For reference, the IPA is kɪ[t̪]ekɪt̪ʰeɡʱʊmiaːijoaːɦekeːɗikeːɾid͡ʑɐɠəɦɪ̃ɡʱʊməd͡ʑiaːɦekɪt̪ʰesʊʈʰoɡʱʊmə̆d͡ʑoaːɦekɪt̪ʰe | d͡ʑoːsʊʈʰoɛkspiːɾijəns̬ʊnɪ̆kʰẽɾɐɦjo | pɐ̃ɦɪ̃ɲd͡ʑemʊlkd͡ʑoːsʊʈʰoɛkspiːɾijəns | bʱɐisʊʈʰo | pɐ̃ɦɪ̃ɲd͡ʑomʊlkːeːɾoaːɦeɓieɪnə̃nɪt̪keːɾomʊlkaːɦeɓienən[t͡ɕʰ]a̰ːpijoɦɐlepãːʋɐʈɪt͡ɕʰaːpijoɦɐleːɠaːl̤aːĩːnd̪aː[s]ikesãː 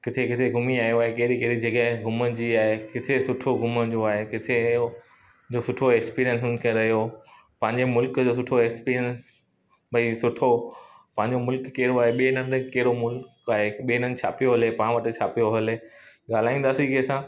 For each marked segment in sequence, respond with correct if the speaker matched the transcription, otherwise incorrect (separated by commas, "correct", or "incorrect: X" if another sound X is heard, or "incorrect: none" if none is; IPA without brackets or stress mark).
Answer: incorrect: t̪ʰ, correct, correct